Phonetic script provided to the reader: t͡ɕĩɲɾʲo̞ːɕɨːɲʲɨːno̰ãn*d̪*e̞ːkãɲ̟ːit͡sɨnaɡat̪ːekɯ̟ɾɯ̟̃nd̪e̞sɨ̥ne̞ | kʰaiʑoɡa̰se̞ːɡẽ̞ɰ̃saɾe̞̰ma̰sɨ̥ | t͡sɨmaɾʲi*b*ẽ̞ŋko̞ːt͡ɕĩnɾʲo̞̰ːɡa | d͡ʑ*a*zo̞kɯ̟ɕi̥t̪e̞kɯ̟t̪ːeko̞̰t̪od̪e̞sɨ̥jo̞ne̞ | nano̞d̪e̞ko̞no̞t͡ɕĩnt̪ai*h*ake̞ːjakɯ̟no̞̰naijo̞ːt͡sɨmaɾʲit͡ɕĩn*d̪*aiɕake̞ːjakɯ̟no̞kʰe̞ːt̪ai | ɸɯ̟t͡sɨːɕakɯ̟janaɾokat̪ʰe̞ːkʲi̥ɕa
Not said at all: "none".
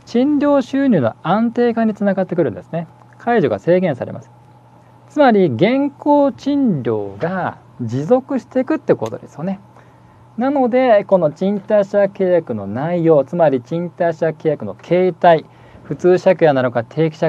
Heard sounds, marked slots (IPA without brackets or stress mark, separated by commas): t̪, ɡ, i, ɕ, t̪